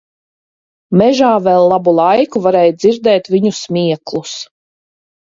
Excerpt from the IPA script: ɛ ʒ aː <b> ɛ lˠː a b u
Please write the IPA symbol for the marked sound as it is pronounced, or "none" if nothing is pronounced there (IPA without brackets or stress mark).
v